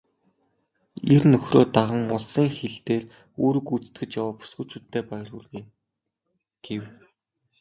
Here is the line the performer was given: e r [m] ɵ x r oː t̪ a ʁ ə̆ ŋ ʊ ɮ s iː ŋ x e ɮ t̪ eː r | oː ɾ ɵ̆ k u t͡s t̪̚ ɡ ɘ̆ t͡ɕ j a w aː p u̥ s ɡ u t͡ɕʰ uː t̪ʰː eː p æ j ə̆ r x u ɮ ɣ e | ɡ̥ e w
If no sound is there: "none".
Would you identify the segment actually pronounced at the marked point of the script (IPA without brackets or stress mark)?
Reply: n